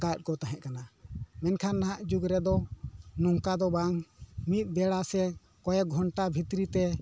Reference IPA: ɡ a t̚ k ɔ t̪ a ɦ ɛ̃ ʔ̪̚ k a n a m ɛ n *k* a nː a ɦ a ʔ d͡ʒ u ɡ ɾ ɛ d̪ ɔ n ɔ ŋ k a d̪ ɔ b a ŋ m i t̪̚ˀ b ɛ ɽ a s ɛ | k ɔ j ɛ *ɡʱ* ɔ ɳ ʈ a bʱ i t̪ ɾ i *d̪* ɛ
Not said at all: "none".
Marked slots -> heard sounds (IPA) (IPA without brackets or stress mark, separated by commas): kʰ, ɡʱ, t̪